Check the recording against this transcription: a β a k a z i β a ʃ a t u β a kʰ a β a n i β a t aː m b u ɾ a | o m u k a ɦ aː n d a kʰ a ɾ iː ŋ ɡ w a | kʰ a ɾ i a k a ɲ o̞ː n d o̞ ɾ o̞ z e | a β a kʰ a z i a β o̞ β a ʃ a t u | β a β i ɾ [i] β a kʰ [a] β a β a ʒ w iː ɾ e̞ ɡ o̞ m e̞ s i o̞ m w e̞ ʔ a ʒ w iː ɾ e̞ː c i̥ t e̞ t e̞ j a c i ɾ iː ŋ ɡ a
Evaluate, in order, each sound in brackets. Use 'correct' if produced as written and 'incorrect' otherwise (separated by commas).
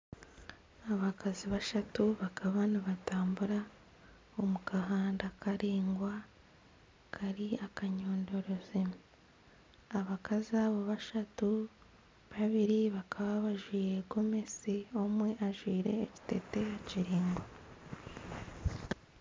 correct, correct